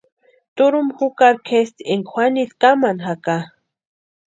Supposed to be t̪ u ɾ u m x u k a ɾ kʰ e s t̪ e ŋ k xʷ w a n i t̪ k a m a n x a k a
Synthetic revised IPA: t̪ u ɾ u m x u k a ɾ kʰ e s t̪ e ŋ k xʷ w a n i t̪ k a m a n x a k a